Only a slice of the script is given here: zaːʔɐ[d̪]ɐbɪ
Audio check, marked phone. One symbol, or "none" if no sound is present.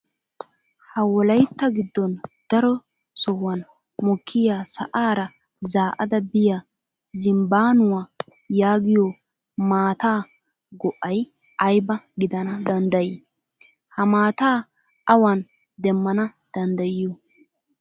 d̪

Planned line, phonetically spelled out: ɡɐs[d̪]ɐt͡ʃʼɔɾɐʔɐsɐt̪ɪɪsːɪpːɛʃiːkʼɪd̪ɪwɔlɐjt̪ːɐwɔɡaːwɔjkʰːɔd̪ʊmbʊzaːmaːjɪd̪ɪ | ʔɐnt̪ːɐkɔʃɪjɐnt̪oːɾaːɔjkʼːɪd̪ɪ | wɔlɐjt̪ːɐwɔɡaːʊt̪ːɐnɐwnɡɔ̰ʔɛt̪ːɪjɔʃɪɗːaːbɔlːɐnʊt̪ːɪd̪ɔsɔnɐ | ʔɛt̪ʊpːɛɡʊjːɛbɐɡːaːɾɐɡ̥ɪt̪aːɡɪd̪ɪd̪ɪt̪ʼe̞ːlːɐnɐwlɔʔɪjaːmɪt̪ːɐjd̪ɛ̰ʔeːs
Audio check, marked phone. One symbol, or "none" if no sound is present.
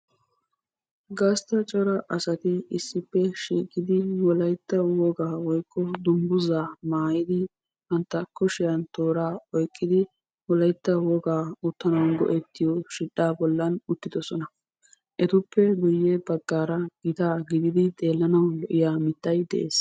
t̪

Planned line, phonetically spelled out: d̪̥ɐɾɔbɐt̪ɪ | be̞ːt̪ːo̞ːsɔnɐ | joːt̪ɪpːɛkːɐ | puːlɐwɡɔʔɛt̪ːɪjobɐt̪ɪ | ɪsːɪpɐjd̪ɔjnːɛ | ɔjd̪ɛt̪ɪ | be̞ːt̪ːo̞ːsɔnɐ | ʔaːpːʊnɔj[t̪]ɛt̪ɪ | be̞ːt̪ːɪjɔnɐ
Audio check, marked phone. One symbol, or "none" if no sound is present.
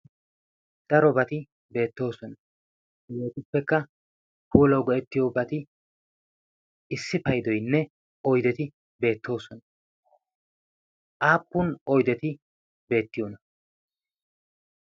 d̪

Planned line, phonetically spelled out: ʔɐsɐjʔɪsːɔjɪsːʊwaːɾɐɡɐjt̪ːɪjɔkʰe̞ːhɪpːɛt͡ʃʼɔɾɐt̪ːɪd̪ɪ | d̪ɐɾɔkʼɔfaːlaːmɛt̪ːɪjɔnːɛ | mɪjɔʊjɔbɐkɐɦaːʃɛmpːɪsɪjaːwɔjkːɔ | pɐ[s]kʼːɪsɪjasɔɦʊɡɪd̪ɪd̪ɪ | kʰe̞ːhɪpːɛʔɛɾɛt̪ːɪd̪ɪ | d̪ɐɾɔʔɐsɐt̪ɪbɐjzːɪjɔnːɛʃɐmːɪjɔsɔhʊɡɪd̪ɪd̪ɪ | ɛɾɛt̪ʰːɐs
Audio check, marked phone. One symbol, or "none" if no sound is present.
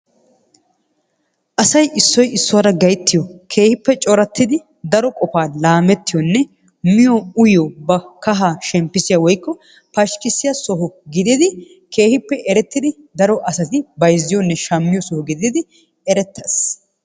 ʃ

